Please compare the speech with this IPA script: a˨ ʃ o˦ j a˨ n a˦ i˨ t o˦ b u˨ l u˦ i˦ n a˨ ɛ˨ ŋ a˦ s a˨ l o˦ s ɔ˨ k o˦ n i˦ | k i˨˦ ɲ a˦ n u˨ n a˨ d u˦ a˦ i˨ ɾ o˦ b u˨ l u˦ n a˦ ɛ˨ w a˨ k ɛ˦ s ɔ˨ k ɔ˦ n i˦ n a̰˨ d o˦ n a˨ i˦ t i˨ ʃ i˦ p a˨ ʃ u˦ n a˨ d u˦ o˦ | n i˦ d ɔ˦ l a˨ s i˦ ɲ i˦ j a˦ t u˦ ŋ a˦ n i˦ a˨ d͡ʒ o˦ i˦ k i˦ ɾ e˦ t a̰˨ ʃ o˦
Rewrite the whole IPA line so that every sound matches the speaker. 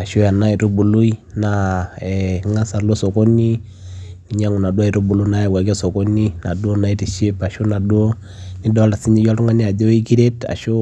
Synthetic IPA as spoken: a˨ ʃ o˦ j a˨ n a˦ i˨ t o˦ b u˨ l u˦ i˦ n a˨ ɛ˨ ŋ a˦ s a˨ l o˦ s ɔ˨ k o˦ n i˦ | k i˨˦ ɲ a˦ ŋ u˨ n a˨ d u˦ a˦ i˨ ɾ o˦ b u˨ l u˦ n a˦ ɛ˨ w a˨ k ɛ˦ s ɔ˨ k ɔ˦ n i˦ n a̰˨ d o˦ n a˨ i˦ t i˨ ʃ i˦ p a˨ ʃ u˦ n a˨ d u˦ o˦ | n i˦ d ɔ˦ l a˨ s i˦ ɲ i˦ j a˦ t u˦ ŋ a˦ n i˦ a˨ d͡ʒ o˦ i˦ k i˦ ɾ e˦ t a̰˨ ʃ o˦